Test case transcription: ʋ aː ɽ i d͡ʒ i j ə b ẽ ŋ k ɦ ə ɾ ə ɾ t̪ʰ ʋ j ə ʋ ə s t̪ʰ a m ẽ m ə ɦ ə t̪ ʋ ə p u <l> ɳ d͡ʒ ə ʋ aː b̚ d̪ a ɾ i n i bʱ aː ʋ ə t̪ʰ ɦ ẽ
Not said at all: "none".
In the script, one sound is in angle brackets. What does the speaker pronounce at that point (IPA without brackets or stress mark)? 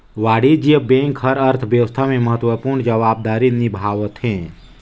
ɾ